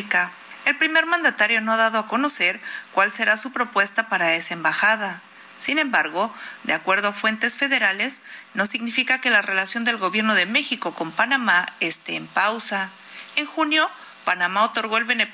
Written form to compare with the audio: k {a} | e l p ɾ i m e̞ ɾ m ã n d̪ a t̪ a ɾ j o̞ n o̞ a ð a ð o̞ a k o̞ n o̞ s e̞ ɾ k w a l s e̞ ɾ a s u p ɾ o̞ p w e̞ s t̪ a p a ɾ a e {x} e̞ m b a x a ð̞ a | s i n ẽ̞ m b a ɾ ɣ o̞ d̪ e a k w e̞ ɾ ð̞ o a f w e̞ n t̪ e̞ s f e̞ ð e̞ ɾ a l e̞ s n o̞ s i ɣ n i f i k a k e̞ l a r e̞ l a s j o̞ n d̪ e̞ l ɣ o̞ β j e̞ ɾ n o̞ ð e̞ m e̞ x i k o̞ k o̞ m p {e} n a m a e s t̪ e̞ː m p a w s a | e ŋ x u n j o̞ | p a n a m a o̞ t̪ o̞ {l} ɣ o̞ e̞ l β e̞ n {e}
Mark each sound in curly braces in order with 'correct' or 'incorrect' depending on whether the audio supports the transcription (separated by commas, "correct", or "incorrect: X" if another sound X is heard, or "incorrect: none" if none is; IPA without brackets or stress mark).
correct, incorrect: s, incorrect: a, incorrect: ɾ, correct